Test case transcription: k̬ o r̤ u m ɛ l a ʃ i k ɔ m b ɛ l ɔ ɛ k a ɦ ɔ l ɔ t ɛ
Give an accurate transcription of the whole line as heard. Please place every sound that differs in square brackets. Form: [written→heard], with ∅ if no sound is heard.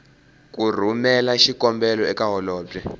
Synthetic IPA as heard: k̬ [o→u] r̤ u m ɛ l a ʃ i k ɔ m b ɛ l ɔ ɛ k a ɦ ɔ l [ɔ→ɔː] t ɛ